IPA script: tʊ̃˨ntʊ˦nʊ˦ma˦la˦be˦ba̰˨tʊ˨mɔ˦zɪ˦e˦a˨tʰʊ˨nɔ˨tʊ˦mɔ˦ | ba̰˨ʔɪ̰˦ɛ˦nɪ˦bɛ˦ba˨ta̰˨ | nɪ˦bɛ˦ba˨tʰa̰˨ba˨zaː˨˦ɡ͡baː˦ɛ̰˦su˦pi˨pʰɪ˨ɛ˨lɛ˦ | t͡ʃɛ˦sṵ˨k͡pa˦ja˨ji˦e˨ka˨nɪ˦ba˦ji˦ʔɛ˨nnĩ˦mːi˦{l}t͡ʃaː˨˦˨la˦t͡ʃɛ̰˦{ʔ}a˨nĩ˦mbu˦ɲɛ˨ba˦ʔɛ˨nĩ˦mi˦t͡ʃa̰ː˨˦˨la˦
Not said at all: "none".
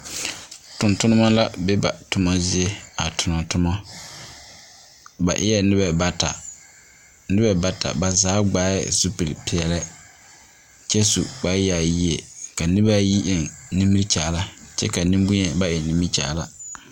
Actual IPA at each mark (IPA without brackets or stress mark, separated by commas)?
ɾ, k